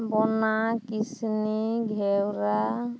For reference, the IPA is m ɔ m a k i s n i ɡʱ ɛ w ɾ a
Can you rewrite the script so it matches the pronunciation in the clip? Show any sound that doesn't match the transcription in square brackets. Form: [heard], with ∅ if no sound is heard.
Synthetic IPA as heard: [b] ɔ [n] a k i s n i ɡʱ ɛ w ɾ a